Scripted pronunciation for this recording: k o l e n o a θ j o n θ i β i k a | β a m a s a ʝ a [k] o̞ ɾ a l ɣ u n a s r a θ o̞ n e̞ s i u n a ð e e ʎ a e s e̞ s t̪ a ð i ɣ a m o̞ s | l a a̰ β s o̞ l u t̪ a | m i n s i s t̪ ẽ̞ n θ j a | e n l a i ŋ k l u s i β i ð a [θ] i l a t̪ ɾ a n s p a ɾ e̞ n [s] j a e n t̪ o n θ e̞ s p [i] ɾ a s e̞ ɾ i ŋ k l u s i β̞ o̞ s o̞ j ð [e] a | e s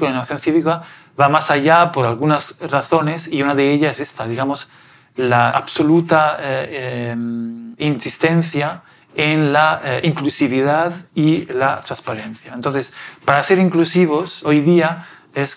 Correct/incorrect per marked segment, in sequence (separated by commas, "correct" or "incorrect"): incorrect, incorrect, incorrect, incorrect, incorrect